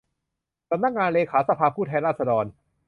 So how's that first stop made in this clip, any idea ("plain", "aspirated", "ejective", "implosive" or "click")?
plain